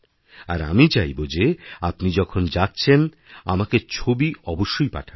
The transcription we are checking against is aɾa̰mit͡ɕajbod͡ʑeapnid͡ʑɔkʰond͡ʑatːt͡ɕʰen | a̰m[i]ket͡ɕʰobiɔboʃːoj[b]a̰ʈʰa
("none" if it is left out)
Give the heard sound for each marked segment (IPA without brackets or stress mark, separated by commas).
a, p